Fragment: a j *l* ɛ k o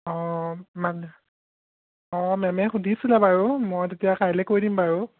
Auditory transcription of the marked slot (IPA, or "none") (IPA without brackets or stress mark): l